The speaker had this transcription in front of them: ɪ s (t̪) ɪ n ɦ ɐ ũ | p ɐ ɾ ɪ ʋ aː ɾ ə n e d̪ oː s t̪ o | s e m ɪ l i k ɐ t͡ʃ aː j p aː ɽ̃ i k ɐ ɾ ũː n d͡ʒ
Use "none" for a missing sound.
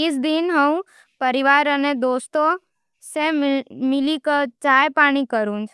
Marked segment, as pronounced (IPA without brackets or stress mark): d̪